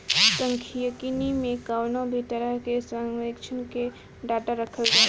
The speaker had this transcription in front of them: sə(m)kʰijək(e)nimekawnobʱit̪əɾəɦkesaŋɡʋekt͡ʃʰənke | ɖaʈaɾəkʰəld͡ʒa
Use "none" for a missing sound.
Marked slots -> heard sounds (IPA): ŋ, i

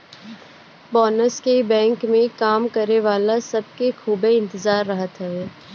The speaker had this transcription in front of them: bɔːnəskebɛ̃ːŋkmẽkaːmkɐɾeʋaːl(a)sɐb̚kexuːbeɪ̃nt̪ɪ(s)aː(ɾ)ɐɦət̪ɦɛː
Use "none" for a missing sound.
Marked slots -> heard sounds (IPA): a, z, ɾː

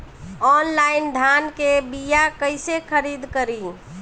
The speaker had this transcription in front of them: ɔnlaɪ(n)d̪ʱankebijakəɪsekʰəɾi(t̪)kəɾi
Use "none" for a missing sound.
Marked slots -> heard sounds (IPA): n, d̪

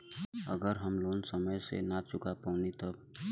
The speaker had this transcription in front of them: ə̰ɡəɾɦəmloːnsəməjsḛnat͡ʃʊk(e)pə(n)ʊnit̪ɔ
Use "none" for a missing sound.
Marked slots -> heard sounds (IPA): a, none

